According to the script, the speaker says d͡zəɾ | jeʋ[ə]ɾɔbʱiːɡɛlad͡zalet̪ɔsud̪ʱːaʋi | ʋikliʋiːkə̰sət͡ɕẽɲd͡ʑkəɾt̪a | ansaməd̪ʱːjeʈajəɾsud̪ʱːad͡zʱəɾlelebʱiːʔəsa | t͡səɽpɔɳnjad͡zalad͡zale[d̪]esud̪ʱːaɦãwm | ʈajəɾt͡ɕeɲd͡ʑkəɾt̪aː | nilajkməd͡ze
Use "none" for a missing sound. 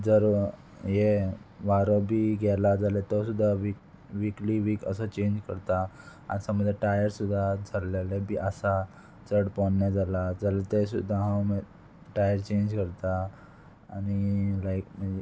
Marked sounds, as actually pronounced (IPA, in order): a, t̪

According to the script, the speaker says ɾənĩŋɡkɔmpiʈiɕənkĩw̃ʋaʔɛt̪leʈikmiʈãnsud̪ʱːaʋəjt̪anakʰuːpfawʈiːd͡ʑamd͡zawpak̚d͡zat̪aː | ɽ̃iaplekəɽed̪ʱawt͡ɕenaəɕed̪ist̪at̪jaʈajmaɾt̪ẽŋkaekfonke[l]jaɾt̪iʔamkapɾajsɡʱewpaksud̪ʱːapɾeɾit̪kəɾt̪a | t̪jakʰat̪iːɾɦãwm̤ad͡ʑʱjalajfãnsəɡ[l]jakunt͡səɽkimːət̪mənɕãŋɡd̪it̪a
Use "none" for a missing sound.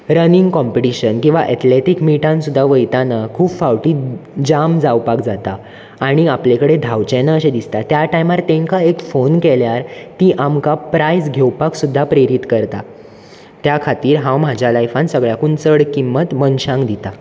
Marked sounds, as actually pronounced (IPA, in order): l, ɭ

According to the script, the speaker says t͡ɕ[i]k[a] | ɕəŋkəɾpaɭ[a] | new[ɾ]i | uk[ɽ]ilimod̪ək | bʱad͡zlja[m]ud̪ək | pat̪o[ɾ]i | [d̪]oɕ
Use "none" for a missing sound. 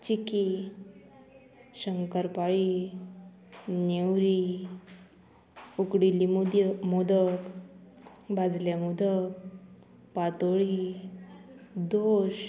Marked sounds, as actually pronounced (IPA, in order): i, i, i, ɾ, ɽ, m, ɭ, d̪

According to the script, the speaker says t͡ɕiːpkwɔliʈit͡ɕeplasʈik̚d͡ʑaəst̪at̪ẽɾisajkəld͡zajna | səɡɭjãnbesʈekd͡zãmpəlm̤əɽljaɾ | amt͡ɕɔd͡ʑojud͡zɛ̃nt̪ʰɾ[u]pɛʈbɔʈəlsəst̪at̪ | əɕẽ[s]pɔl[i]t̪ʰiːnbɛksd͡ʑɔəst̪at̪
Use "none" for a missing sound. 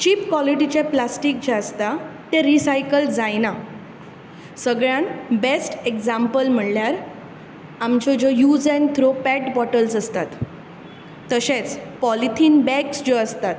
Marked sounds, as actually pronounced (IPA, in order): o, t͡s, i

